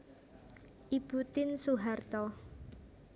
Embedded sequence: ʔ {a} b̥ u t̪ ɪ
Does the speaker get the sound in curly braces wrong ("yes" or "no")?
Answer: yes